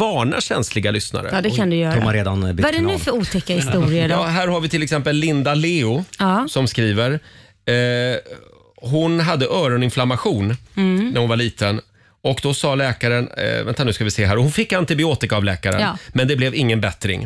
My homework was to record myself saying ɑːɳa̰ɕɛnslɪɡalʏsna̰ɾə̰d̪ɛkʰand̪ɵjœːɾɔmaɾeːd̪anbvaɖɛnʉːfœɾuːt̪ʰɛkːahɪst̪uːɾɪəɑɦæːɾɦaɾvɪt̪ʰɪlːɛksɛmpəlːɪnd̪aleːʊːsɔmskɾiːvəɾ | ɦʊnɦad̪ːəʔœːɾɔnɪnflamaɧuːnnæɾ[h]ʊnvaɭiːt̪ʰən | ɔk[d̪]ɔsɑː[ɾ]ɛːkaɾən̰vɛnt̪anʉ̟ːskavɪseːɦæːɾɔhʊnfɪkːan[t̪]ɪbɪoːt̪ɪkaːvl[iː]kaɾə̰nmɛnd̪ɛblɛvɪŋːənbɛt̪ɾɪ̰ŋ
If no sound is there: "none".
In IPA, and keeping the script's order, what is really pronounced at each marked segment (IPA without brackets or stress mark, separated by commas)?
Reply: h, d̪, l, t̪, ɛː